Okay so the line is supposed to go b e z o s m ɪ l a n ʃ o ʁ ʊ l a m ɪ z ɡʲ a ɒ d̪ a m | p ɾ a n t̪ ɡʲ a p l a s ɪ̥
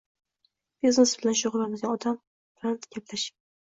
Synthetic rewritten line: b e z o s b ɪ l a n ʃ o ʁ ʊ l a m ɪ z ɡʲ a ɒ d̪ a m | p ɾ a n t̪ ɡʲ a p l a ʃ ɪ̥